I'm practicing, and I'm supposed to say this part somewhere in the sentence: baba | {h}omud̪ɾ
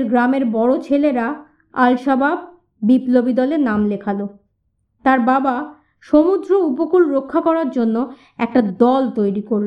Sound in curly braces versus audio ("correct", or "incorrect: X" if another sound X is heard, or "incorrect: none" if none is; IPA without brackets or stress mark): incorrect: ʃ